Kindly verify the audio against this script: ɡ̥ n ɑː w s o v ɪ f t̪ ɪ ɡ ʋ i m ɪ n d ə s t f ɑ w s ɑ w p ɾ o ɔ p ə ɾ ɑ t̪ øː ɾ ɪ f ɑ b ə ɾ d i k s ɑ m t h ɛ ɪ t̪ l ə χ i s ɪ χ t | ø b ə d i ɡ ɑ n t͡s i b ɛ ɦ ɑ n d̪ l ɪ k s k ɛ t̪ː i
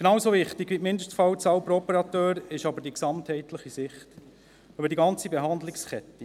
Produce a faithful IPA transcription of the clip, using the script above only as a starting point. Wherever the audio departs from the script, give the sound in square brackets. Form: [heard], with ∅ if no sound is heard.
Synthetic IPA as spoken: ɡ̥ n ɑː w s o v ɪ [χ] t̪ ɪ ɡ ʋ i m ɪ n d ə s t f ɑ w [t͡s] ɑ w p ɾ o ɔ p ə ɾ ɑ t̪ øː ɾ ɪ [ʃ] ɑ b ə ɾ d i k s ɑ m t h ɛ ɪ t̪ l ə χ i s ɪ χ t | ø b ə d i ɡ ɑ n t͡s i b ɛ ɦ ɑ n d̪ l ɪ k s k ɛ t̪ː i